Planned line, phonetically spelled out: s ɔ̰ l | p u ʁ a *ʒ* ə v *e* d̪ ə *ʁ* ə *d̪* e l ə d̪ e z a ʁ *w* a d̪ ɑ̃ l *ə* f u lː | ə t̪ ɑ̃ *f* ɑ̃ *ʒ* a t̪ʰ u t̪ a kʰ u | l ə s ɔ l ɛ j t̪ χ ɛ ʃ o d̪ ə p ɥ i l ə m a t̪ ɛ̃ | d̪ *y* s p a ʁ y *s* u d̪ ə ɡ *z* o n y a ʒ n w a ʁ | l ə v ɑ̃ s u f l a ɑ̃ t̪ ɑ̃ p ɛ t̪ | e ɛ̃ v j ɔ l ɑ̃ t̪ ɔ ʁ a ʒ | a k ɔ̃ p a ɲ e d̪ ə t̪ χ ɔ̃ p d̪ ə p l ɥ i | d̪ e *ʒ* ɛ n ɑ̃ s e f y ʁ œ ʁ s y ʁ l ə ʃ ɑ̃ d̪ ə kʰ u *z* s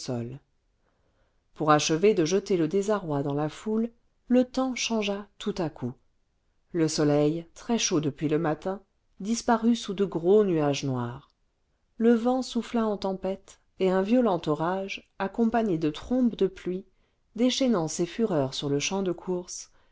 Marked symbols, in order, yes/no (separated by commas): no, yes, no, no, yes, no, no, yes, no, yes, no, no, no